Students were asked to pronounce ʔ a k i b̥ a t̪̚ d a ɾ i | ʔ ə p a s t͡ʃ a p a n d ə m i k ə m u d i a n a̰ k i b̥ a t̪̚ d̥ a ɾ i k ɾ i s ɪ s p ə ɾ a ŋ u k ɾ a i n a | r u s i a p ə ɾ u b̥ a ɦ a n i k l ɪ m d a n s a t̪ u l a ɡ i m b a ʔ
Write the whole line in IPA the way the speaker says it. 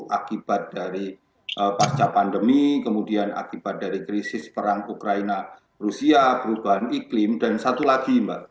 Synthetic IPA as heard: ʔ a k i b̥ a t̪̚ d a ɾ i | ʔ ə p a s t͡ʃ a p a n d ə m i k ə m u d i a n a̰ k i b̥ a t̪̚ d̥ a ɾ i k ɾ i s ɪ s p ə ɾ a ŋ u k ɾ a i n a | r u s i a p ə ɾ u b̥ a ɦ a n i k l ɪ m d a n s a t̪ u l a ɡ i m b a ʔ